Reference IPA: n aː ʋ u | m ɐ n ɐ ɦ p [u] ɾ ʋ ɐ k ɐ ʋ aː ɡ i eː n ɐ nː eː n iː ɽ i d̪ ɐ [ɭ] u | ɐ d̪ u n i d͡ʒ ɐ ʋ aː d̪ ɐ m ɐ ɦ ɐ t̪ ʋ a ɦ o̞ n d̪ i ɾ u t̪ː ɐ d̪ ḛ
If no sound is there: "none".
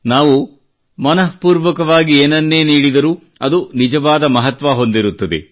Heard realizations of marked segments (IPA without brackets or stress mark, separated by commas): uː, ɾ